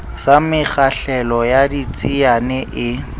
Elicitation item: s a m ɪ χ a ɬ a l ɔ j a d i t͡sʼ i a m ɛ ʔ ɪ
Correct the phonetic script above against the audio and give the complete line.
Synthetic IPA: s a m ɪ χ a ɬ ɛ l ɔ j a d i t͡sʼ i a n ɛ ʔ ɪ